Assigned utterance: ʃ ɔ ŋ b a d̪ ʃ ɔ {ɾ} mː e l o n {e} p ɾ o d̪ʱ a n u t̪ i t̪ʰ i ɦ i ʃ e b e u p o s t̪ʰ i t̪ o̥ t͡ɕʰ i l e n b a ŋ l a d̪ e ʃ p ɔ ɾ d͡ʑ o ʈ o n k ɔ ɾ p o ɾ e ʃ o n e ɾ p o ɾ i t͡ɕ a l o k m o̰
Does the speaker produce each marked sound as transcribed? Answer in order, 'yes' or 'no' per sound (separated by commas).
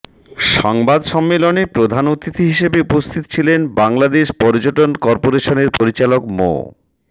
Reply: no, yes